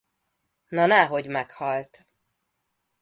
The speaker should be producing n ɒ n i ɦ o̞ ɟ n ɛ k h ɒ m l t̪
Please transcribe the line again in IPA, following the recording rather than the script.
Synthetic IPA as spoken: n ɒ n ɛ ɦ o̞ ɟ m ɛ k h ɒ l t̪